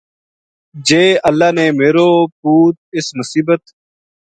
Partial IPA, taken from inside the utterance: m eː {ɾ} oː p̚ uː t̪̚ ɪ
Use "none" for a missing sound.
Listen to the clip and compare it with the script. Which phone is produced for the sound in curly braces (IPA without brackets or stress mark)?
ɾ